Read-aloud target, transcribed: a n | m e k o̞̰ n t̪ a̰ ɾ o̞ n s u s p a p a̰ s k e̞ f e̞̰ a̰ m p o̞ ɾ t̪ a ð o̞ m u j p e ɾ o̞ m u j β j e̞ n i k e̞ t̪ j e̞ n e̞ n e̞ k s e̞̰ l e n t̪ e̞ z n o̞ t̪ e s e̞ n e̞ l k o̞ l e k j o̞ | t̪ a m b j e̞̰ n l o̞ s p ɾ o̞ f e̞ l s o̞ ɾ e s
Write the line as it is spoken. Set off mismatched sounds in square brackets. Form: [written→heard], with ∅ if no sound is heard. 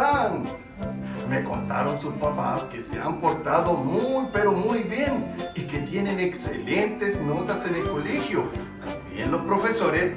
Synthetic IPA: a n | m e k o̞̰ n t̪ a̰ ɾ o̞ n s u s p a p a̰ s k e̞ [f→s] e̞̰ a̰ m p o̞ ɾ t̪ a ð o̞ m u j p e ɾ o̞ m u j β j e̞ n i k e̞ t̪ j e̞ n e̞ n e̞ k s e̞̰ l e n t̪ e̞ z n o̞ t̪ [e→a] s e̞ n e̞ l k o̞ l e [k→x] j o̞ | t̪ a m b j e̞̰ n l o̞ s p ɾ o̞ f e̞ [l→∅] s o̞ ɾ e s